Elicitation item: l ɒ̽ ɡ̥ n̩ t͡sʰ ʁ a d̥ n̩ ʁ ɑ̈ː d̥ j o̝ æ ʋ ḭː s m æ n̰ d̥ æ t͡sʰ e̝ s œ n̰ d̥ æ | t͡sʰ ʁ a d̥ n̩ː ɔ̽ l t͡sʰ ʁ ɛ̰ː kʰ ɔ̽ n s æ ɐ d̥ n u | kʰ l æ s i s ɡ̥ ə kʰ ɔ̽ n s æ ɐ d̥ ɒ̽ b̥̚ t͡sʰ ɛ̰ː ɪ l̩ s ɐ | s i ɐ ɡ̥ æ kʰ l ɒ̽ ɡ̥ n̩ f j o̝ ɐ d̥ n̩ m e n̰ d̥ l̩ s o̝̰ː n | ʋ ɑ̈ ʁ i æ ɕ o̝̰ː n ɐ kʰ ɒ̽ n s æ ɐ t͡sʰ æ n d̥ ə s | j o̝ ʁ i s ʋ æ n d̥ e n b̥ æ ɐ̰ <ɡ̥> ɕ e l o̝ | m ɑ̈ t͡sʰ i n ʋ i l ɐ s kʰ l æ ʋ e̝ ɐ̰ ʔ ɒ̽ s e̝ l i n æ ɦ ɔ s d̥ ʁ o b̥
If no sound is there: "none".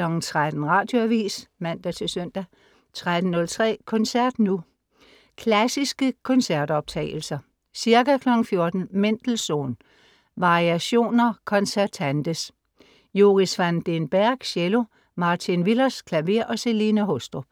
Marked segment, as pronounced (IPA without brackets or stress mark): ɡ̥